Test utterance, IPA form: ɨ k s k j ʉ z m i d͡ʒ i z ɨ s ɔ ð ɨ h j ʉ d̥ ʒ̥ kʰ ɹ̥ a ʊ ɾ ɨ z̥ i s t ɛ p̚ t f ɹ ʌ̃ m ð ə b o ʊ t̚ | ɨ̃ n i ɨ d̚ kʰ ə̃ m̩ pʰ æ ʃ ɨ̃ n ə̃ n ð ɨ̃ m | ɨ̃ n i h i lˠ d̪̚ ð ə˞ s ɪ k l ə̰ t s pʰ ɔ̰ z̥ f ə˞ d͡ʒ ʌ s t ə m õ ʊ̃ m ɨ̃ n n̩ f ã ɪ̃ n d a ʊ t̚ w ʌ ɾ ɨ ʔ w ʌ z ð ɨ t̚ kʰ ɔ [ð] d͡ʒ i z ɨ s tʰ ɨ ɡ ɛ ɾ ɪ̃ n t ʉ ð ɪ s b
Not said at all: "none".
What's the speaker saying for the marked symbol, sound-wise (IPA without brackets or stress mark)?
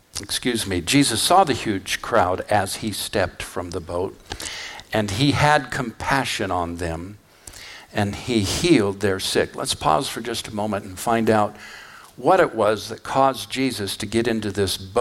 z